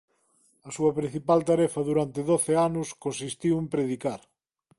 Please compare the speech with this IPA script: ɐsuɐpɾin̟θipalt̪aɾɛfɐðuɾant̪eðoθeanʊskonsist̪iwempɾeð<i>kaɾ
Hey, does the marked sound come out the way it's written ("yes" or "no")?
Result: yes